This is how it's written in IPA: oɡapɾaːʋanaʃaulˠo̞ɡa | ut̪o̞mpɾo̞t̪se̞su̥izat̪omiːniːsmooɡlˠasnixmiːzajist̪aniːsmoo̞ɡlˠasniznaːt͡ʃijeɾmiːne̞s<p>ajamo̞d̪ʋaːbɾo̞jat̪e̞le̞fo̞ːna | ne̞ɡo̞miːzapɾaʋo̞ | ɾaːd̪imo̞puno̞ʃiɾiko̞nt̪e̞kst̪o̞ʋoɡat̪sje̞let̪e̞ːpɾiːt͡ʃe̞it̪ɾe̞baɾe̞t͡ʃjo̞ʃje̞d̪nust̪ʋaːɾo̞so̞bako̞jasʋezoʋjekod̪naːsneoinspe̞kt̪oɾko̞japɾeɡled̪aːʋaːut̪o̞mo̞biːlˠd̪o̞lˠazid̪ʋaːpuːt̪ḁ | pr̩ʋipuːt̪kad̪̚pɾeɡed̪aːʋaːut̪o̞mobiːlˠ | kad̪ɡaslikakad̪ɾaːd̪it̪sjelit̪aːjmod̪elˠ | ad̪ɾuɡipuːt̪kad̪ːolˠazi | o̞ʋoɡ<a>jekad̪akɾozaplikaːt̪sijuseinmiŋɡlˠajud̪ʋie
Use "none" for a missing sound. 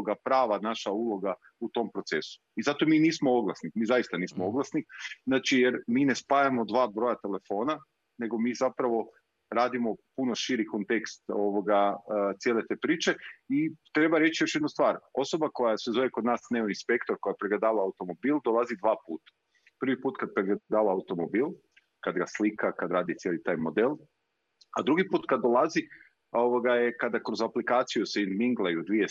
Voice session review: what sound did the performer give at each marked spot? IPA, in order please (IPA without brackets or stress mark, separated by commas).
p, a